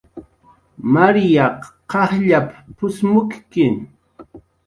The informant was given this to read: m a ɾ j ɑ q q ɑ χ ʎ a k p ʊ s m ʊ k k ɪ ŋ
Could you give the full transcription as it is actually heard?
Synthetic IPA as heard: m a ɾ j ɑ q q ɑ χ ʎ a p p ʊ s m ʊ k k ɪ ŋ